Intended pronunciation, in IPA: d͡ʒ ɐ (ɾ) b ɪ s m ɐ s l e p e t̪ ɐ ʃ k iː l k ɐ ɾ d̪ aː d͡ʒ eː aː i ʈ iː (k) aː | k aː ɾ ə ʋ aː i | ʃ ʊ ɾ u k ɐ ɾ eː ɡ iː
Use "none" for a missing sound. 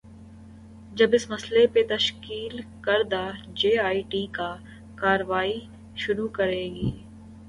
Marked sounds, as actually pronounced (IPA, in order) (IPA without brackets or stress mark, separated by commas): none, k